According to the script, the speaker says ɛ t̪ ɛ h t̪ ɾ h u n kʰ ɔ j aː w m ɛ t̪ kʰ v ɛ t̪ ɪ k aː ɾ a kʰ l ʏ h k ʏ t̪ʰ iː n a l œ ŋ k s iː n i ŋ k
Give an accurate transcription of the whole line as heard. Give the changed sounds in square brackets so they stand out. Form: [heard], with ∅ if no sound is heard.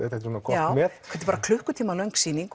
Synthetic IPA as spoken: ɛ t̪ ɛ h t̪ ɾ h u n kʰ ɔ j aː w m ɛ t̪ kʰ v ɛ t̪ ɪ [p] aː ɾ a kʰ l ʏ h k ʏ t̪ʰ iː [m] a l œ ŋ k s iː n i ŋ k